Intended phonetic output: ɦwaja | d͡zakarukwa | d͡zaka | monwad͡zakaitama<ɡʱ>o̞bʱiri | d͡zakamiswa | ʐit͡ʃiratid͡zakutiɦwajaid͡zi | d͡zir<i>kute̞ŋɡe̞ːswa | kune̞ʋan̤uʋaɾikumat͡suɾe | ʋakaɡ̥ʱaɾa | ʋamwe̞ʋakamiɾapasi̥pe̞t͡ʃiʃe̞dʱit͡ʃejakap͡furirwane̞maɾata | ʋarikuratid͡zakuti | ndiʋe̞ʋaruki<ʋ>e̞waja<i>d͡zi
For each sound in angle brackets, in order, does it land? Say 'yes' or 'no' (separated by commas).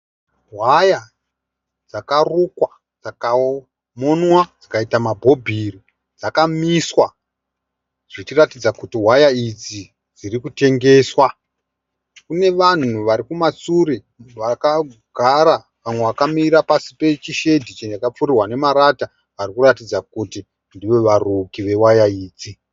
no, yes, yes, no